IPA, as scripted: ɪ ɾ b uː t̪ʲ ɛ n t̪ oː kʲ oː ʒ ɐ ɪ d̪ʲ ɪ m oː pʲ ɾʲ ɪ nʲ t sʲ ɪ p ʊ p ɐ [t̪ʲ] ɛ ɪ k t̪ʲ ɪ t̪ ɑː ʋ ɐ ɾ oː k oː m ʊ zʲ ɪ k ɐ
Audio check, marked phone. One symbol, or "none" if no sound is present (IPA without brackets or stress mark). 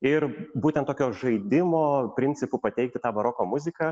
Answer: t̪ʲ